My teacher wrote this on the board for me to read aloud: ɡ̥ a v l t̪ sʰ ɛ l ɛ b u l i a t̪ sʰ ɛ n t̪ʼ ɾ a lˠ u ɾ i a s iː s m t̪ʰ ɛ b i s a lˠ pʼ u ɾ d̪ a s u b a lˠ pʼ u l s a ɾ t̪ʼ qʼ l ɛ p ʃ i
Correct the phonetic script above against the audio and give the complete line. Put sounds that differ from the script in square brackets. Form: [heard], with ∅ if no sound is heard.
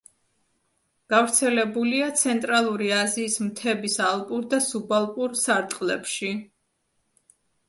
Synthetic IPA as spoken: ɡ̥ a v [ɾ] t̪ sʰ ɛ l ɛ b u l i a t̪ sʰ ɛ n t̪ʼ ɾ a lˠ u ɾ i a [z] iː s m t̪ʰ ɛ b i s a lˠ pʼ u ɾ d̪ a s u b a lˠ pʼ u [ɾ] s a ɾ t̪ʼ qʼ l ɛ p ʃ i